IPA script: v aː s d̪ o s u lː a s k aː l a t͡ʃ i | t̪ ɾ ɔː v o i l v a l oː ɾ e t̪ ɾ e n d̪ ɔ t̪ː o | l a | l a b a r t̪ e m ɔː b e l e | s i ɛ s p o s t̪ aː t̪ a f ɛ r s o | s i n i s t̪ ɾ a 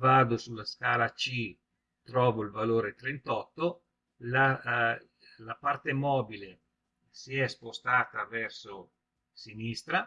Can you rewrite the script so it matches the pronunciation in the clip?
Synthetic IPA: v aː d̪ o s u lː a s k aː l a t͡ʃ i | t̪ ɾ ɔː v o i l v a l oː ɾ e t̪ ɾ e n t̪ ɔ t̪ː o | l a | l a p a r t̪ e m ɔː b i l e | s i ɛ s p o s t̪ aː t̪ a v ɛ r s o | s i n i s t̪ ɾ a